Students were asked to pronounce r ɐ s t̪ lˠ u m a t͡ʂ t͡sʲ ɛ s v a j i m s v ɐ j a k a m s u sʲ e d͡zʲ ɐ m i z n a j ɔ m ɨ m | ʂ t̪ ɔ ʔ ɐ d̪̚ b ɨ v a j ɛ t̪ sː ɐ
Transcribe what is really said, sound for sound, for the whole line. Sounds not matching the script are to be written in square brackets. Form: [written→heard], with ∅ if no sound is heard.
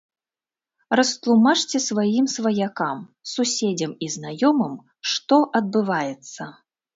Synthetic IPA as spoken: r ɐ s t̪ lˠ u m a t͡ʂ t͡sʲ ɛ s v a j i m s v ɐ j a k a m s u sʲ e d͡zʲ ɐ m i z n a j ɔ m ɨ m | ʂ t̪ ɔ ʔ ɐ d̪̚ b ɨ v a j ɛ t̪ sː ɐ